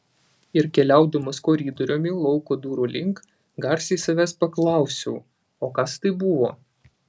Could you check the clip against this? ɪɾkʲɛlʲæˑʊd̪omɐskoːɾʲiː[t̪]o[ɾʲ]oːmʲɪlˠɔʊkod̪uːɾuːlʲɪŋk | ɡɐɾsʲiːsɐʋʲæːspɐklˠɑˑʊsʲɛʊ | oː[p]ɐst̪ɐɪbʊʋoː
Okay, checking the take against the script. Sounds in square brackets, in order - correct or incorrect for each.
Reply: incorrect, correct, incorrect

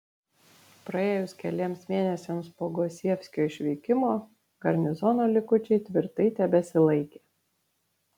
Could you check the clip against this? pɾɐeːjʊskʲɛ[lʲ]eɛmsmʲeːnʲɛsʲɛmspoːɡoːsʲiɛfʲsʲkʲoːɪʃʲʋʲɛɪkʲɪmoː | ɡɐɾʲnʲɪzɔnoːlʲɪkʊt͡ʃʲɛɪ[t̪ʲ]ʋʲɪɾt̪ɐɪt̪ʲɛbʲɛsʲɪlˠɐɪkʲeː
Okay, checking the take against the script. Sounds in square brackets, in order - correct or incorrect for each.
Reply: correct, correct

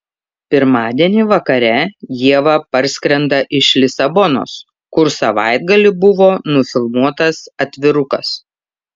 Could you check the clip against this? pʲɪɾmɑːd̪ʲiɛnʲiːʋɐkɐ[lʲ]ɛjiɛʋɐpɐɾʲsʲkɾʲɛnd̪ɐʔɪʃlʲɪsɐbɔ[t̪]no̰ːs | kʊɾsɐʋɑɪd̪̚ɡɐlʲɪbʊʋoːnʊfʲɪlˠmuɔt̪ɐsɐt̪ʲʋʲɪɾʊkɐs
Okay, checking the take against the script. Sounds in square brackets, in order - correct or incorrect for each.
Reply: incorrect, incorrect

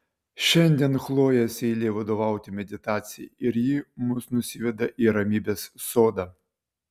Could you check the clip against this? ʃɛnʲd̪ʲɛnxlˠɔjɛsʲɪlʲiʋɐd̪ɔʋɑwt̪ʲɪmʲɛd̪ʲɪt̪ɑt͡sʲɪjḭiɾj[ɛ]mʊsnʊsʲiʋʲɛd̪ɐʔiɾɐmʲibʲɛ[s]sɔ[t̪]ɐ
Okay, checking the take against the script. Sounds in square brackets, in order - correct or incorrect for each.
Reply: incorrect, correct, incorrect

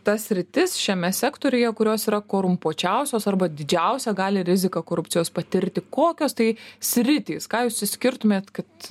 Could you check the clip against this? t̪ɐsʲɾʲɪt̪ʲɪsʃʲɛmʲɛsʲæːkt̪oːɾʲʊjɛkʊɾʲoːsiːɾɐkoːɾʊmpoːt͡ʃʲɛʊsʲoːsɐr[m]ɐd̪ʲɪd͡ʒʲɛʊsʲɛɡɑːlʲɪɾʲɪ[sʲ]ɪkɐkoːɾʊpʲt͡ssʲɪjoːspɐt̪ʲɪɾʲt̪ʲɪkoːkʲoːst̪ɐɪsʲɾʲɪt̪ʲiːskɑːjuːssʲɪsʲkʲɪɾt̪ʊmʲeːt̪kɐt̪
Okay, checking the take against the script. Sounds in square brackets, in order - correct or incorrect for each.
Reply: incorrect, incorrect

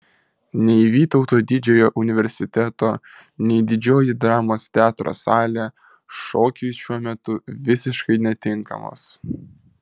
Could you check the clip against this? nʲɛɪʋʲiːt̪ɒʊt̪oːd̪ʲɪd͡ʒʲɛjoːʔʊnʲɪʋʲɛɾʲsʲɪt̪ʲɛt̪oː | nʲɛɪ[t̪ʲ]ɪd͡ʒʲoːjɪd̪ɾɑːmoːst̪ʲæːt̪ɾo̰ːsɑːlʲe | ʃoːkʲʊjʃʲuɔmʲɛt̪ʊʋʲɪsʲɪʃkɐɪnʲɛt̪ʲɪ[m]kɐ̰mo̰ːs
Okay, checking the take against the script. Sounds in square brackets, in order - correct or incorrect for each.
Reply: incorrect, incorrect

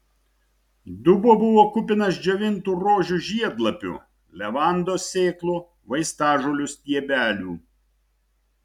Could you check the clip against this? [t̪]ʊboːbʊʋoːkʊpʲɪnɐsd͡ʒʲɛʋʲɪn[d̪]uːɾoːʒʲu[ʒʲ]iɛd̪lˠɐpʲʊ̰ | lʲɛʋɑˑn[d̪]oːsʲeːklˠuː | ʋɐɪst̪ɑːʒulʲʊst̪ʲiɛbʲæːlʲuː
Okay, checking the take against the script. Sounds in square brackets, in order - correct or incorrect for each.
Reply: incorrect, incorrect, correct, correct

